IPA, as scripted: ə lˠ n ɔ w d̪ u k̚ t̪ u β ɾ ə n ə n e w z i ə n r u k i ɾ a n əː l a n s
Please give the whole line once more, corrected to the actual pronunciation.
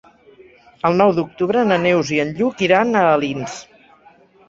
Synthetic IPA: ə lˠ n ɔ w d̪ u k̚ t̪ u β ɾ ə n ə n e w z i ə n ʎ u k i ɾ a n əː l i n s